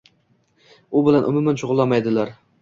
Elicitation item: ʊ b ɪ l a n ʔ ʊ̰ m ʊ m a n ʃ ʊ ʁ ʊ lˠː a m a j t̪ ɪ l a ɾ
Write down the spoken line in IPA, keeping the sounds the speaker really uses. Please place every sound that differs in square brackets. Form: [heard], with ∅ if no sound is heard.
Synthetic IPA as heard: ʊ b ɪ l a n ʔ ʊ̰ m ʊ m a n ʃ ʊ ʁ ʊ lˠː a m a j [d̪] ɪ l a ɾ